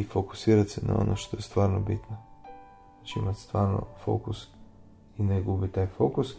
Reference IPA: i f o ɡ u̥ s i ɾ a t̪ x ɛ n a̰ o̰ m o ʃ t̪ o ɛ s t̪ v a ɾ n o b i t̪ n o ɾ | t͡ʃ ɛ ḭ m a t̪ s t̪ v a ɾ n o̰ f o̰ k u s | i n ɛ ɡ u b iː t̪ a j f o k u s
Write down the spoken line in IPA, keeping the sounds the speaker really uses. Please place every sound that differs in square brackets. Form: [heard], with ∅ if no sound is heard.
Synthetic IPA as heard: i f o [k] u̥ s i ɾ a t̪ [s] ɛ n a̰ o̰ [n] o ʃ t̪ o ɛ s t̪ v a ɾ n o b i t̪ n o [∅] | t͡ʃ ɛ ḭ m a t̪ s t̪ v a ɾ n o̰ f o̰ k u s | i n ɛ ɡ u b [i] t̪ a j f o k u s